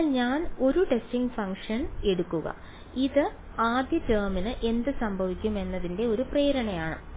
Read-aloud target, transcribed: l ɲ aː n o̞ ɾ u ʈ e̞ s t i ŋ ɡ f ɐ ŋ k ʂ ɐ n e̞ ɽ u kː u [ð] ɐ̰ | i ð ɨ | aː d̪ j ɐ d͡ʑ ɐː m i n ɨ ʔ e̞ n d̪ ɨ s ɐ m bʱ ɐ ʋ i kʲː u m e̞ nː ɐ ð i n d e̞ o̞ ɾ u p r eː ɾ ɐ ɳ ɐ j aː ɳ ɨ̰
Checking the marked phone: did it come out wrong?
yes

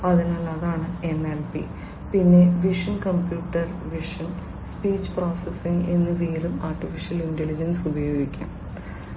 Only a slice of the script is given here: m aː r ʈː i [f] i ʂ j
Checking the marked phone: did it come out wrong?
no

